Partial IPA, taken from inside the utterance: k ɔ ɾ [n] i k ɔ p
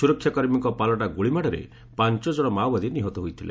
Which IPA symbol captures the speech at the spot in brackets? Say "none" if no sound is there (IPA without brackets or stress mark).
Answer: m